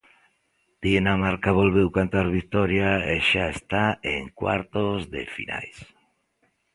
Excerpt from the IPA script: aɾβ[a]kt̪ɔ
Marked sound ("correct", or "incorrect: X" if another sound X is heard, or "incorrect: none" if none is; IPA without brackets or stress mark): incorrect: i